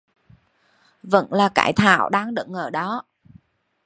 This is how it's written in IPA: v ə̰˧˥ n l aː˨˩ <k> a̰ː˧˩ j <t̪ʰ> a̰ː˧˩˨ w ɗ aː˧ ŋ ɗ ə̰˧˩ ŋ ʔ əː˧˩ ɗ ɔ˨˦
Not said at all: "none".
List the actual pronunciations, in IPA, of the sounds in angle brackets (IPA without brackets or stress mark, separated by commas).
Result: k, t̪ʰ